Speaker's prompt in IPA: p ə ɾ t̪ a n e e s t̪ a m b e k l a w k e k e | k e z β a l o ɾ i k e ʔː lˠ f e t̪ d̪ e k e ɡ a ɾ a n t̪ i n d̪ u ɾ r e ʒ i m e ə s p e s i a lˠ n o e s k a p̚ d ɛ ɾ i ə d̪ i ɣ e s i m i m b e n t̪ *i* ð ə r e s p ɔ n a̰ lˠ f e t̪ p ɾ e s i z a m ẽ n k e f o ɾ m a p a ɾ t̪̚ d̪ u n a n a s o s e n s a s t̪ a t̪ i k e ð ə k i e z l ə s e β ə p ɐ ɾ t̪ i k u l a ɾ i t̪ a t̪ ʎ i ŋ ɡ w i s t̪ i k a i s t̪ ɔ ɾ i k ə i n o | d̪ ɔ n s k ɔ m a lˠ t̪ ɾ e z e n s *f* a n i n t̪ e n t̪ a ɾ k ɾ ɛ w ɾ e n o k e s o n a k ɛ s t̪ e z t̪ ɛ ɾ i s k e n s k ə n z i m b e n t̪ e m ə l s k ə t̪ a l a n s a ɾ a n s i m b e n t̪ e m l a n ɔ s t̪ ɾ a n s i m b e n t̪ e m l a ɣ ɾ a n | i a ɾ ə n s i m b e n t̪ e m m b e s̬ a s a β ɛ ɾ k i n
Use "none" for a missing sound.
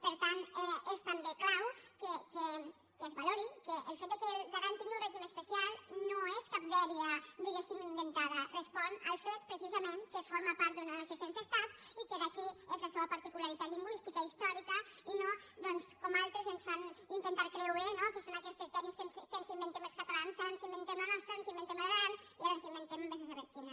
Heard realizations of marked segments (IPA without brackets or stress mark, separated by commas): a, f